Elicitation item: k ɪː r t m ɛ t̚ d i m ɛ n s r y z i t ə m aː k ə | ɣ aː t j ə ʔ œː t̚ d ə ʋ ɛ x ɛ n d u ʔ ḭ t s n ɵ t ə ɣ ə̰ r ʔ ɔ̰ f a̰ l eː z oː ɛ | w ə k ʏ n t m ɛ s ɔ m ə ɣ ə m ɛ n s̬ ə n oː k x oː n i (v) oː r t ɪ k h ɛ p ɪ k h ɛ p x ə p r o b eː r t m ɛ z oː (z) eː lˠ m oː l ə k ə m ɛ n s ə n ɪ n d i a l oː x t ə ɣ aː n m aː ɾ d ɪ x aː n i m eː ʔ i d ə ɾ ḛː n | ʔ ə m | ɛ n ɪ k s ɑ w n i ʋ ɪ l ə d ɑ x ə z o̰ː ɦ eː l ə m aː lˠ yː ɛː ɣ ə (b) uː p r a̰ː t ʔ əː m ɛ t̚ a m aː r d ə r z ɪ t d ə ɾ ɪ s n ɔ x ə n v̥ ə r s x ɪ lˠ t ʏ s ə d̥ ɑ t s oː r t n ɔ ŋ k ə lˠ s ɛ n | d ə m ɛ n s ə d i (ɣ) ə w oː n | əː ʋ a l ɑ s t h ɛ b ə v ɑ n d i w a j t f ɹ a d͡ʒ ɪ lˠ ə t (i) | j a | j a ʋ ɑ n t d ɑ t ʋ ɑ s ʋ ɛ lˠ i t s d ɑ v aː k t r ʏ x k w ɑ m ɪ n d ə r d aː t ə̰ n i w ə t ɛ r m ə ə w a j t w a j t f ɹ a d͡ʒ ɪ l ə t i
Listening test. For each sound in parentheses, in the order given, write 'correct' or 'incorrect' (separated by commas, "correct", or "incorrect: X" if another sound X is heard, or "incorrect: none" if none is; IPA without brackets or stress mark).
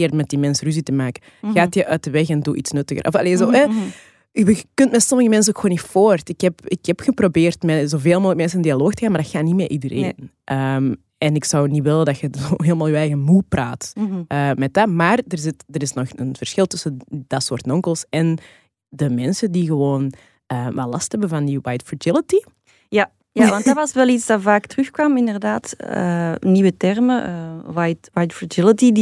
incorrect: f, incorrect: v, incorrect: m, correct, correct